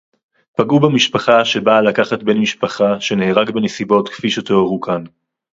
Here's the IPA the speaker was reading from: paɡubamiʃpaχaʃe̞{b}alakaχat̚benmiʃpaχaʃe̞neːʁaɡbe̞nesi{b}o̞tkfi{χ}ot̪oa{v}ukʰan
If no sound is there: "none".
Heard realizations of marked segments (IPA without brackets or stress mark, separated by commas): b, b, ʃ, ʁ